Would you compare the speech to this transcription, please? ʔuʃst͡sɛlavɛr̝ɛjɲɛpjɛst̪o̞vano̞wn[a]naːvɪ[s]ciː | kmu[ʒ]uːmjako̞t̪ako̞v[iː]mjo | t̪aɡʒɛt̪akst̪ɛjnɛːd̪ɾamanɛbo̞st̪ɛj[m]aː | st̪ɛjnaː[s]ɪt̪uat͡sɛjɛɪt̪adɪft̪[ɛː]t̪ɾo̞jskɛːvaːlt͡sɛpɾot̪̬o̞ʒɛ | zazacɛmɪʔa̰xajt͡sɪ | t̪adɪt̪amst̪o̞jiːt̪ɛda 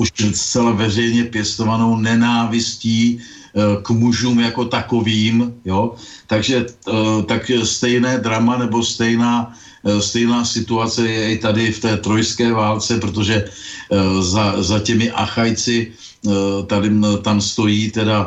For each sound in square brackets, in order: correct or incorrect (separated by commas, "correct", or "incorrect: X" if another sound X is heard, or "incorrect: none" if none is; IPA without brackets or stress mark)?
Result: incorrect: ɛ, correct, correct, correct, incorrect: n, correct, correct